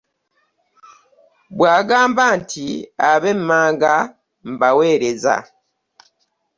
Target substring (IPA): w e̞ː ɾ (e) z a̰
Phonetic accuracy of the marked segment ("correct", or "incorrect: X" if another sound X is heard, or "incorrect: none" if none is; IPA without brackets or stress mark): correct